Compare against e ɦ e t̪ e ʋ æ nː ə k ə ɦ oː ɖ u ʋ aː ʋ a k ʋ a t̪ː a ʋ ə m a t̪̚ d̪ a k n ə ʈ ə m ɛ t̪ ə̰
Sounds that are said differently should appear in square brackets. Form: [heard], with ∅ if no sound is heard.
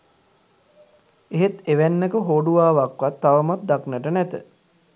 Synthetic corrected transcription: e ɦ e t̪ e ʋ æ nː ə k ə ɦ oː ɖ u ʋ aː ʋ a k ʋ a t̪ː a ʋ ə m a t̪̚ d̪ a k n ə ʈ ə [n] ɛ t̪ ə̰